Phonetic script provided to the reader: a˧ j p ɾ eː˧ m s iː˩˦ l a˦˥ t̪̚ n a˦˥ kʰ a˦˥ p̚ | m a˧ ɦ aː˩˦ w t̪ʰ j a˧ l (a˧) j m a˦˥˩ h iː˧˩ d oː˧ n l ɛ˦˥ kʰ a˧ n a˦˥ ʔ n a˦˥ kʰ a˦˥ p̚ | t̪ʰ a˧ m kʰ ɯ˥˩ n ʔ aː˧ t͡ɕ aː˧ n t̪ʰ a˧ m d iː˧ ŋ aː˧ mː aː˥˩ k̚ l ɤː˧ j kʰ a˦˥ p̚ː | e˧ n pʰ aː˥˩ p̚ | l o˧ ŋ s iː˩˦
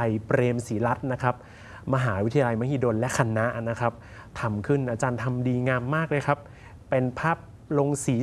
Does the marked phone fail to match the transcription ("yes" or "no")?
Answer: no